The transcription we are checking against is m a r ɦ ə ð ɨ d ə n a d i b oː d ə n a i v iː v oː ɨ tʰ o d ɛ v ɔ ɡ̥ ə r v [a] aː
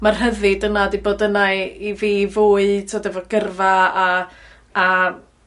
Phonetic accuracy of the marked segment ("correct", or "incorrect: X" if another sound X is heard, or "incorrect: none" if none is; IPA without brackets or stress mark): correct